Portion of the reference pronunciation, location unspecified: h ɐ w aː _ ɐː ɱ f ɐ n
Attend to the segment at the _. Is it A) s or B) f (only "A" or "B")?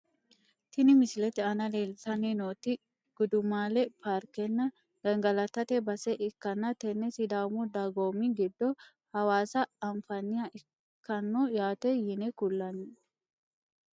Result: A